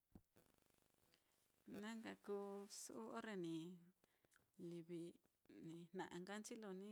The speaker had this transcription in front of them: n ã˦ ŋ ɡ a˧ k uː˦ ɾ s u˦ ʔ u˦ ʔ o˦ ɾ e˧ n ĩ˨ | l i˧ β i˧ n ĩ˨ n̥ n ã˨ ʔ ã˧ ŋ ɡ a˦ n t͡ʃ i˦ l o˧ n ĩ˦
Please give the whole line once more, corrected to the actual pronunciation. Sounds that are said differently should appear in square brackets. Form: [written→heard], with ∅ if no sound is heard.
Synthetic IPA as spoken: n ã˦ ŋ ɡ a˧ k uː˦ [ɾ→∅] s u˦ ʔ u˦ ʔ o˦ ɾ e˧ n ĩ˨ | l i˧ β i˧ n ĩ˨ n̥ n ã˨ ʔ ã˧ ŋ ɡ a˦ n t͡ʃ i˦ l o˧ n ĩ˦